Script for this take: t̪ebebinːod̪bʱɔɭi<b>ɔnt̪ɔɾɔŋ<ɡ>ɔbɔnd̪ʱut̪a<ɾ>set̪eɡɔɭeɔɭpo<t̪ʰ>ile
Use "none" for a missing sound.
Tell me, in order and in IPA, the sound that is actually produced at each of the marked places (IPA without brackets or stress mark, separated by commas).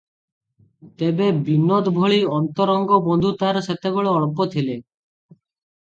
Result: none, ɡ, ɾ, t̪ʰ